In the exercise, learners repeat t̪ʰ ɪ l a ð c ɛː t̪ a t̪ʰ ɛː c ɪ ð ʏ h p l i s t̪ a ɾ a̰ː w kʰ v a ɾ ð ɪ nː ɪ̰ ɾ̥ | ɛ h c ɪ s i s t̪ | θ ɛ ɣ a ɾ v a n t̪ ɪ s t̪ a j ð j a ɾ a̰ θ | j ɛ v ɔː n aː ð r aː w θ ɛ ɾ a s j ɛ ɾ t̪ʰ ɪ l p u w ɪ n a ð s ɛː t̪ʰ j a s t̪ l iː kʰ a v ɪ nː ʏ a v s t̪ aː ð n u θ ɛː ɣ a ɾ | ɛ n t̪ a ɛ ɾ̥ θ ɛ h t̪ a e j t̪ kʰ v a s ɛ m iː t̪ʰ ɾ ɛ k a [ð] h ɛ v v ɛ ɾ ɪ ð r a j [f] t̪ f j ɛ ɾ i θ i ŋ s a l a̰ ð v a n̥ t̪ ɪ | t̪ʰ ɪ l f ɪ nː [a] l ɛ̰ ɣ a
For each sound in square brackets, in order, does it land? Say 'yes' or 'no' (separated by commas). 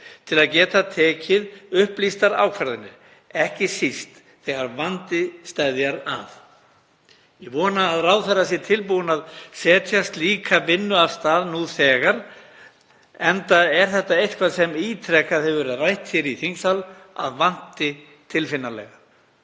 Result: yes, no, yes